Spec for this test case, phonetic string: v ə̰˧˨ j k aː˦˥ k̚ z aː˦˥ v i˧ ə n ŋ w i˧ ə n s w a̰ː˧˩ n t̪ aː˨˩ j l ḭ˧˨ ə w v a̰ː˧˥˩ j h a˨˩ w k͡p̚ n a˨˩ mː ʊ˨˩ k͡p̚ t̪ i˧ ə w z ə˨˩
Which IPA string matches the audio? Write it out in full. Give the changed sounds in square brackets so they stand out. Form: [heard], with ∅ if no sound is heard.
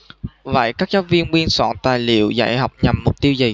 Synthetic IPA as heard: v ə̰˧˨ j k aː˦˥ k̚ z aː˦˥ v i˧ ə n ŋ w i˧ ə n s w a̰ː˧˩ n t̪ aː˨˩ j l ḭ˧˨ ə w [z] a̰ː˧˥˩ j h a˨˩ w k͡p̚ [ɲ] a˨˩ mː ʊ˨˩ k͡p̚ t̪ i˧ ə w z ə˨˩